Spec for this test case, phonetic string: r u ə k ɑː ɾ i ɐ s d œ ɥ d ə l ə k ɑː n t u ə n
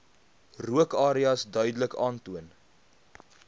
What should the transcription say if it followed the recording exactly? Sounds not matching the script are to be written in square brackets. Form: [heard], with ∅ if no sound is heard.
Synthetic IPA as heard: r u ə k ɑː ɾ i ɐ s d œ ɥ d ə l ə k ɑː n t u ə n